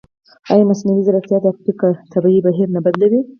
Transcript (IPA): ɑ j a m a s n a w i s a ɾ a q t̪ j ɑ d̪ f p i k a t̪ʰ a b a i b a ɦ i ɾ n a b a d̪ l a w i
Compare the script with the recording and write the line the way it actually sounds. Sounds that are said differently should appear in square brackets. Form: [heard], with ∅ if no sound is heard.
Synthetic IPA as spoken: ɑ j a m a s n a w i [z] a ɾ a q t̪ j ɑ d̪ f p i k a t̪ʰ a b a i b a ɦ i ɾ n a b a d̪ l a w i